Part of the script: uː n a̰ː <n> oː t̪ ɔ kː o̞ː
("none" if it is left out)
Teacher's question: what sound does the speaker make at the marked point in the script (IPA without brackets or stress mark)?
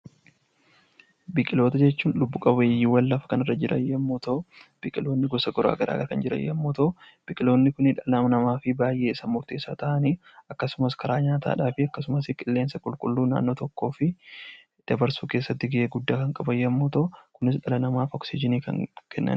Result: nː